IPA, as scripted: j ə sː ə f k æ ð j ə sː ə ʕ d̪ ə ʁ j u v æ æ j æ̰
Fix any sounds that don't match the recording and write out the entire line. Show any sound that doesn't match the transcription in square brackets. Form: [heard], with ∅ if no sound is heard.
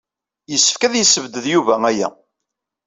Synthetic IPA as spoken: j ə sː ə f k æ ð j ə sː ə [v] d̪ ə [ð] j u v æ æ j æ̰